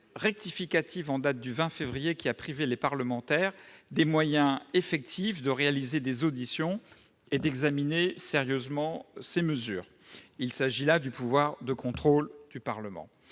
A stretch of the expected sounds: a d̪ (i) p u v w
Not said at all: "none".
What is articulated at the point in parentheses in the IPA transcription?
y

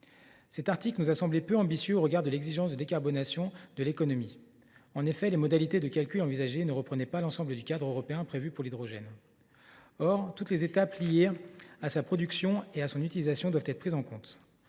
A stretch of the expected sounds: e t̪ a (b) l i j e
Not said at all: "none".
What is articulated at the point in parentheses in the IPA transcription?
p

